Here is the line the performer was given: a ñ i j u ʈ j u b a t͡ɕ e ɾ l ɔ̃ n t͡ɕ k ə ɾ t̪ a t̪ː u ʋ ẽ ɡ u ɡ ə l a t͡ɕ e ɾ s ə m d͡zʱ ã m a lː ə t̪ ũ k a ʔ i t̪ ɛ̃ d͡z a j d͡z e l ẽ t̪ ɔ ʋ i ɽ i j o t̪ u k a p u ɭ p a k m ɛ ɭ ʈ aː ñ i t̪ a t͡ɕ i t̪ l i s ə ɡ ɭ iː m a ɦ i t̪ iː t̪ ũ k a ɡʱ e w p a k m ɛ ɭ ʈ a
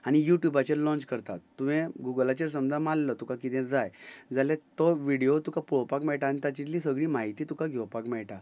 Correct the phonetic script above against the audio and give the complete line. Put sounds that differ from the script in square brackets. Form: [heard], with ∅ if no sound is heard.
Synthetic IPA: a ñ i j u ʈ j u b a t͡ɕ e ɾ l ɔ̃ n t͡ɕ k ə ɾ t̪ a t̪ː u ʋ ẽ ɡ u ɡ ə l a t͡ɕ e ɾ s ə m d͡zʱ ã m a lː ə t̪ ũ k a [k] i t̪ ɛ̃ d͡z a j d͡z [a] l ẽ t̪ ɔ ʋ i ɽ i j o t̪ u k a p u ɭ p a k m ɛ ɭ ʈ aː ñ i t̪ a t͡ɕ i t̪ l i s ə ɡ ɭ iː m a ɦ i t̪ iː t̪ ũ k a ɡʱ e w p a k m ɛ ɭ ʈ a

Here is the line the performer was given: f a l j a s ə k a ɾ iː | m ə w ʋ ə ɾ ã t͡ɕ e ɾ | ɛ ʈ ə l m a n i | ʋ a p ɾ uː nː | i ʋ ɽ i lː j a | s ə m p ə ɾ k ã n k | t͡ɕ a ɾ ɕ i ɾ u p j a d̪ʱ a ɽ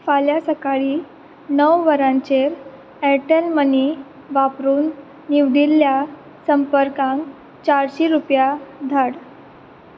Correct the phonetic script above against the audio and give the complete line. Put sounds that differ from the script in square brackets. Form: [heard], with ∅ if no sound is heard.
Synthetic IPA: f a l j a s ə k a [ɭ] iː | [n] ə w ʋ ə ɾ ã t͡ɕ e ɾ | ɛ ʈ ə l m [ə] n i | ʋ a p ɾ uː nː | i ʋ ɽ i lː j a | s ə m p ə ɾ k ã [ŋ] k | t͡ɕ a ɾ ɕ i ɾ u p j a d̪ʱ a ɽ

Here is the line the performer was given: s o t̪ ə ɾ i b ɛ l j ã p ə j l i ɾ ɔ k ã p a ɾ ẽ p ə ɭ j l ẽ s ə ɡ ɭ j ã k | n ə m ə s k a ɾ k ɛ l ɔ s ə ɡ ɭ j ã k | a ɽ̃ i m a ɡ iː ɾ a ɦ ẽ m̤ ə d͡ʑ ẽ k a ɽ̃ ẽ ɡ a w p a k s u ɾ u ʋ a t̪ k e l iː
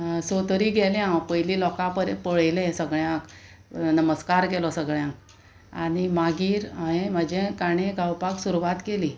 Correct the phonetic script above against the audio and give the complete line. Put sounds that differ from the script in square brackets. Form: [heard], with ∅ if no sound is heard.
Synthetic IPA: s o t̪ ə ɾ i [ɡ] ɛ l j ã p ə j l i [l] ɔ k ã p [ə] ɾ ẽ p ə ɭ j l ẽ s ə ɡ ɭ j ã k | n ə m ə s k a ɾ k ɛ l ɔ s ə ɡ ɭ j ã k | a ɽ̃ i m a ɡ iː ɾ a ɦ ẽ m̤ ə d͡ʑ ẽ k a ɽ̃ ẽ ɡ a w p a k s u ɾ u ʋ a t̪ k e l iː

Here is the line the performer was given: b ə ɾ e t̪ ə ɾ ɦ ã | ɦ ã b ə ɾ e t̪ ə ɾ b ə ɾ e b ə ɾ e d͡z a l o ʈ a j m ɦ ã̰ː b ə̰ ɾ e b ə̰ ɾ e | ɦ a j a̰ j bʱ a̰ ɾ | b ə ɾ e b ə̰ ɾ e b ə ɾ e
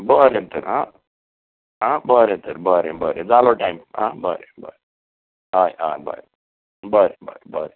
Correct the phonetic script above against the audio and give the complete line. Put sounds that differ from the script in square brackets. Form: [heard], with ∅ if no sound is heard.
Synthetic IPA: b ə ɾ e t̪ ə ɾ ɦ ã | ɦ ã b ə ɾ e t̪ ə ɾ b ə ɾ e b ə ɾ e d͡z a l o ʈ a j m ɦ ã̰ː b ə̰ ɾ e b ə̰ ɾ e | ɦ a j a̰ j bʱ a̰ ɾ | b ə ɾ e b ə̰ ɾ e b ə ɾ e

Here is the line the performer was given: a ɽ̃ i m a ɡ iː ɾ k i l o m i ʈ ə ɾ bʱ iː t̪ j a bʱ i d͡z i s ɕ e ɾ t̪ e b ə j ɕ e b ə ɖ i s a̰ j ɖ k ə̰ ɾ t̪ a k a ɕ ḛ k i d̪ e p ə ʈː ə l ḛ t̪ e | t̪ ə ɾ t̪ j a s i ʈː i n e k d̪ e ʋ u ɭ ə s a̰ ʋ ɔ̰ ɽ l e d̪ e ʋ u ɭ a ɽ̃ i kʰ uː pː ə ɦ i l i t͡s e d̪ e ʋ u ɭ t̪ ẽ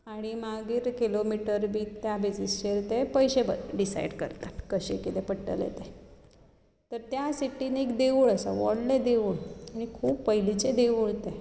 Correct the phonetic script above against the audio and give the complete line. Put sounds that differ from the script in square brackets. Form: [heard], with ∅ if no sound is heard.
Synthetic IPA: a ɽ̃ i m a ɡ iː ɾ k i l o m i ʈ ə ɾ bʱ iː t̪ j a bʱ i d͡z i s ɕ e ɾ t̪ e [p] ə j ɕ e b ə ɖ i s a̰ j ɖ k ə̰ ɾ t̪ a k [ə] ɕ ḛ k i [t̪] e p ə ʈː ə l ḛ t̪ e | t̪ ə ɾ t̪ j a s i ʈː i n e k d̪ e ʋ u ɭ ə s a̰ ʋ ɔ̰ ɽ l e d̪ e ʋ u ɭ a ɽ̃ i kʰ uː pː ə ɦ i l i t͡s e d̪ e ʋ u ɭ t̪ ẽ

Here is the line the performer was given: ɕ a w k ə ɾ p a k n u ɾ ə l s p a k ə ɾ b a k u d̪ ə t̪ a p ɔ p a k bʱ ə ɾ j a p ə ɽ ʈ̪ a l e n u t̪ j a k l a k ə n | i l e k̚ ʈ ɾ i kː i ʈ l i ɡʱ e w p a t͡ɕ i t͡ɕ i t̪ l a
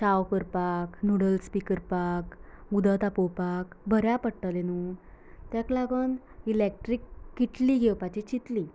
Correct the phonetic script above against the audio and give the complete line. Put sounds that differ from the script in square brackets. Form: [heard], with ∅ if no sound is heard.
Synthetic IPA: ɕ a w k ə ɾ p a k n u [ɽ] ə l s p [i] k ə ɾ [p] a k u d̪ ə t̪ a p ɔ p a k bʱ ə ɾ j a p ə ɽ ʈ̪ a l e n u t̪ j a k l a [ɡ] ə n | i l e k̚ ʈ ɾ i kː i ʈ l i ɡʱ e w p a t͡ɕ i t͡ɕ i t̪ l [i]

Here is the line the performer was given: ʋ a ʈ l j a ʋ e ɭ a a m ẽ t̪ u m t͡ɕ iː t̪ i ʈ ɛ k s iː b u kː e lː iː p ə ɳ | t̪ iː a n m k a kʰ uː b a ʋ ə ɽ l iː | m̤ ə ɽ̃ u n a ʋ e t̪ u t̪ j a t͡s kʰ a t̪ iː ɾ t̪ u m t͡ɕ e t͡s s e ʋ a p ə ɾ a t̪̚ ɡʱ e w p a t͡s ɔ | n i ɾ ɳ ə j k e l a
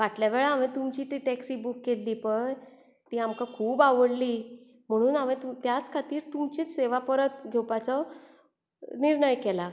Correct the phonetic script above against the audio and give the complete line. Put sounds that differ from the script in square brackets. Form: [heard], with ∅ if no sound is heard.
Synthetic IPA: ʋ a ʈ l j a ʋ e ɭ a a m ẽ t̪ u m t͡ɕ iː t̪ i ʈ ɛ k s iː b u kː e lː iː p ə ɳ | t̪ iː a [∅] m k a kʰ uː b a ʋ ə ɽ l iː | m̤ ə ɽ̃ [uː] n a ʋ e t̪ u t̪ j a t͡s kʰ a t̪ iː ɾ t̪ u m t͡ɕ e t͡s s e ʋ a p ə ɾ [ə] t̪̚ ɡʱ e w p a t͡s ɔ | n i ɾ ɳ ə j k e l a

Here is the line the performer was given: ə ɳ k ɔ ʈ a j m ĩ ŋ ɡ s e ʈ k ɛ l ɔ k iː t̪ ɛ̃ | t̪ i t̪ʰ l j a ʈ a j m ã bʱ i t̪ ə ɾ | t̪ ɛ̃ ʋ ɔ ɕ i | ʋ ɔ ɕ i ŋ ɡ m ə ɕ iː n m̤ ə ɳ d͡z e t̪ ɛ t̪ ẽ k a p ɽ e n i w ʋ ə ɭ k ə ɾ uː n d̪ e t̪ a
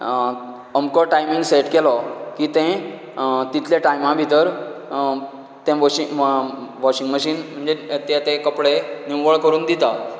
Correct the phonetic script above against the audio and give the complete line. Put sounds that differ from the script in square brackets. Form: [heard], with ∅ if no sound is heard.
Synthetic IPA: ə [m] k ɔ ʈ a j m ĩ ŋ ɡ s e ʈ k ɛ l ɔ k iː t̪ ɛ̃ | t̪ i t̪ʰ l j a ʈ a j m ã bʱ i t̪ ə ɾ | t̪ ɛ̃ ʋ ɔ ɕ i | ʋ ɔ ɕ i ŋ ɡ m ə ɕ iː n m̤ ə ɳ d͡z e t̪ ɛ t̪ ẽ k [ə] p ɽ e n i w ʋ ə ɭ k ə ɾ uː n d̪ [i] t̪ a

